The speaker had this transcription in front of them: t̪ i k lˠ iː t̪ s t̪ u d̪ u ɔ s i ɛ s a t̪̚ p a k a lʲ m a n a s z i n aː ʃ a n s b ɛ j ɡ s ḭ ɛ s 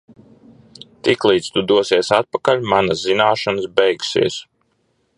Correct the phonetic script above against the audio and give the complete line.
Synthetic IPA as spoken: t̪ i k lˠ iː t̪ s t̪ u d̪ u ɔ s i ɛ s a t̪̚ p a k a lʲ m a n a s z i n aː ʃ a n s b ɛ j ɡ s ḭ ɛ s